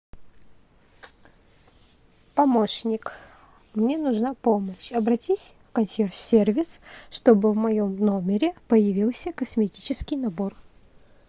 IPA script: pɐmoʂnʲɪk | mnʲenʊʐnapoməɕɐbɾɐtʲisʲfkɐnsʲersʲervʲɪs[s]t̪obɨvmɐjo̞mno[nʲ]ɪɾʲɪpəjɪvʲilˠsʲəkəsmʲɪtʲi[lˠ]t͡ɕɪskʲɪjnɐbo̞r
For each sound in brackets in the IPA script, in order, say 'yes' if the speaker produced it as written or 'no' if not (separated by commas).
no, no, no